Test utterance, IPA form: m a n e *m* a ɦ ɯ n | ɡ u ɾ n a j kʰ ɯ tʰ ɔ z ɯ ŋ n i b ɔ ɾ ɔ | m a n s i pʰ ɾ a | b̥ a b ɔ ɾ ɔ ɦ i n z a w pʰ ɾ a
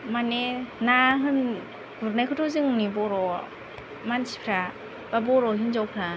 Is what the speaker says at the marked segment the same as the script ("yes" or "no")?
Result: no